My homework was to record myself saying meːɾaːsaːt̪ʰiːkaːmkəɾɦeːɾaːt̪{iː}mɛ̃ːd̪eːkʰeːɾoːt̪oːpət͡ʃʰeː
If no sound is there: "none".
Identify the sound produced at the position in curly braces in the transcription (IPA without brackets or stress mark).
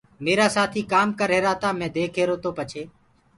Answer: aː